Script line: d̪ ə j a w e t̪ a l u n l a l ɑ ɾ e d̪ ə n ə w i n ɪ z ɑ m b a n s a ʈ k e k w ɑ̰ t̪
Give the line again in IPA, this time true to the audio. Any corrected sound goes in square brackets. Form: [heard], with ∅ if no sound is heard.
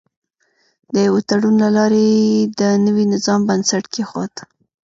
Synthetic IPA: d̪ ə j a w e t̪ a [ɽ] u n l a l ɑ ɾ e d̪ ə n ə w i n ɪ z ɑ m b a n s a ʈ k e [x] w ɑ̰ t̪

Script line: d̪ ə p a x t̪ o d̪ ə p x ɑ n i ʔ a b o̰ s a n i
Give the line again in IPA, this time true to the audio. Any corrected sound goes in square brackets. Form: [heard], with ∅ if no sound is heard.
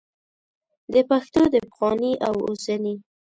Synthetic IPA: d̪ ə p a x t̪ o d̪ ə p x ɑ n i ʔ a [w] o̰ s a n i

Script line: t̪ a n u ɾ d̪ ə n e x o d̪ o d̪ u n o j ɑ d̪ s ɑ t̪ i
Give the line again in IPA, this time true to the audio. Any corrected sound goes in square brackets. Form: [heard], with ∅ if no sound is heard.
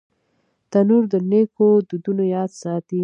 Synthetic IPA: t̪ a n u ɾ d̪ ə n e [k] o d̪ [u] d̪ u n o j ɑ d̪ s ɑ t̪ i

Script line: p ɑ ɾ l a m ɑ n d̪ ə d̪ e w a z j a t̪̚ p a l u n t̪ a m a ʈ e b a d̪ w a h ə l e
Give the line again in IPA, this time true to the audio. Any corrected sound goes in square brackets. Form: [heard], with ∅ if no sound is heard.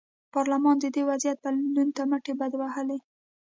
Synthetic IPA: p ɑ ɾ l a m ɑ n d̪ ə d̪ e w a z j a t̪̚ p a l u n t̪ a m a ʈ e b a d̪ w a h ə l e

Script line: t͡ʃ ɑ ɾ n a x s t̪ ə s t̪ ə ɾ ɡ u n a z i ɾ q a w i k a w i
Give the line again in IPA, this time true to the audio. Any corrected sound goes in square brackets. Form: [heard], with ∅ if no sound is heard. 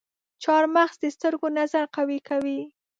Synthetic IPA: t͡ʃ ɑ ɾ [m] a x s [d̪] ə s t̪ ə ɾ ɡ [o] n a z [a] ɾ q a w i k a w i

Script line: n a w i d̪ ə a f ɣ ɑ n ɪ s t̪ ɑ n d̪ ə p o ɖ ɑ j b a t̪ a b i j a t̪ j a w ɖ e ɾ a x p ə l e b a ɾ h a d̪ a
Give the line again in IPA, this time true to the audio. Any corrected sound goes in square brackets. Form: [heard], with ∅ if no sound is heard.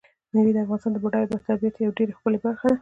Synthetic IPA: n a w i d̪ ə a f ɣ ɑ n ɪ s t̪ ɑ n d̪ ə [b] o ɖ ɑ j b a t̪ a b i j a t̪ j a w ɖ e ɾ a x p ə l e b a ɾ [x] a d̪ a

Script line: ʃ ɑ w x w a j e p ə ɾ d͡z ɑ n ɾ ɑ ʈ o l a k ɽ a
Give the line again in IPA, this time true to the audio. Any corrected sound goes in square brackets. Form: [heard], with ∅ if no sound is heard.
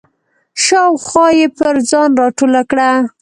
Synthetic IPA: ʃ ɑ w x w [ɑ] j e p ə ɾ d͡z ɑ n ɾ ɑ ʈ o l a k ɽ a

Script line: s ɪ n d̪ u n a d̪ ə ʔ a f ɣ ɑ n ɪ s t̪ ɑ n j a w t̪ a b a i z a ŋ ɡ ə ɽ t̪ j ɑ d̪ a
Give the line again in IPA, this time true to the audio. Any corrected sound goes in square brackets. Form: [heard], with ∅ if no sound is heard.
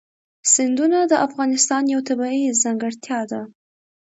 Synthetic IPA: s ɪ n d̪ u n a d̪ ə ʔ a f ɣ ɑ n ɪ s t̪ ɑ n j a w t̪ a b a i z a ŋ ɡ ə ɽ t̪ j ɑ d̪ a

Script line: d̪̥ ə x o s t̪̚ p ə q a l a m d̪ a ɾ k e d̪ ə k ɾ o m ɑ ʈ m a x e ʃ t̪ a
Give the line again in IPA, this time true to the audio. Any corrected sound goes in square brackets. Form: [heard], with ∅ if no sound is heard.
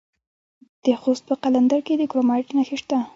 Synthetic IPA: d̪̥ ə x o s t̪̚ p ə q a l a [n] d̪ a ɾ k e d̪ ə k ɾ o m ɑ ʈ [n] a x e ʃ t̪ a

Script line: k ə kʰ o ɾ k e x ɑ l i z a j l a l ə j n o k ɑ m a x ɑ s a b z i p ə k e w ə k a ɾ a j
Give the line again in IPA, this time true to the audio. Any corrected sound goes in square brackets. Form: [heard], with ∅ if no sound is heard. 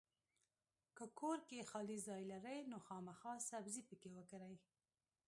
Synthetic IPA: k ə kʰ o ɾ k e x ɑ l i z [ɑ] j l a [ɾ] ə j n o [x] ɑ m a x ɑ s a b z i p ə k e w ə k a ɾ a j

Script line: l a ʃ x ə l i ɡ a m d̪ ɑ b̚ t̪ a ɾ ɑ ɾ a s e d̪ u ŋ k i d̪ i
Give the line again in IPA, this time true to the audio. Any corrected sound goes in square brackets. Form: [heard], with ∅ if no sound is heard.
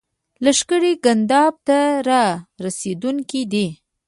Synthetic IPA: l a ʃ [k] ə [ɽ] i ɡ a [n] d̪ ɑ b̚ t̪ a ɾ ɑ ɾ a s e d̪ u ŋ k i d̪ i

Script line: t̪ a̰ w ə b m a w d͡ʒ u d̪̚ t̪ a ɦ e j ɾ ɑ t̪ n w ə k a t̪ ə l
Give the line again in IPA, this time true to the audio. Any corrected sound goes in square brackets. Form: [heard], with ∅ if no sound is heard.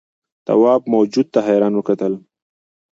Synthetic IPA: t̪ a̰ w [ɑ] b m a w d͡ʒ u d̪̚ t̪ a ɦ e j ɾ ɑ [∅] n w ə k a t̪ ə l

